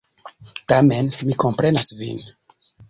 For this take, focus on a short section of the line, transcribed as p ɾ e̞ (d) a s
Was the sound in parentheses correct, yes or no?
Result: no